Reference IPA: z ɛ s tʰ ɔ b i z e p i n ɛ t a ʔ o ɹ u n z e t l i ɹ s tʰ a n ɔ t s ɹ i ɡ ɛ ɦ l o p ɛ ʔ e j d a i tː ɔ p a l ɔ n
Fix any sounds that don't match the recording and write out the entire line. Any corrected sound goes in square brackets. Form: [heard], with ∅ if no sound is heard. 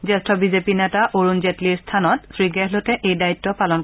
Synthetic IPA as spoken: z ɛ s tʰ ɔ b i z e p i n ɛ t a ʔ o ɹ u n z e t l i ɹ s tʰ a n ɔ t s ɹ i ɡ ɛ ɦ l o [t] ɛ ʔ e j d a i tː ɔ p a l ɔ n